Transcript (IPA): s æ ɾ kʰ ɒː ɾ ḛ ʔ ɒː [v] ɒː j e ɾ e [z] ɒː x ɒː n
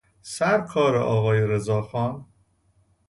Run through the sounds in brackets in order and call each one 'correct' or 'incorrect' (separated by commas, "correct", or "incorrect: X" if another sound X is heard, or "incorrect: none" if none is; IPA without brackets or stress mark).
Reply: incorrect: ɣ, correct